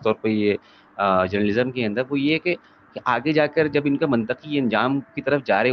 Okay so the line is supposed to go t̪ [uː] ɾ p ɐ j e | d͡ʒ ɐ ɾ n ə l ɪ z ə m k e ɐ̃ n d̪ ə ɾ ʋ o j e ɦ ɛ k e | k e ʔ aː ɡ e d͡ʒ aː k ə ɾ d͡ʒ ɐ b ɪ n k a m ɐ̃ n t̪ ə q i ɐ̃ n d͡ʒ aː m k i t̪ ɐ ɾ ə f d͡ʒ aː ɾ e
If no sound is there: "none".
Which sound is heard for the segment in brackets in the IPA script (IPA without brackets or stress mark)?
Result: ɔː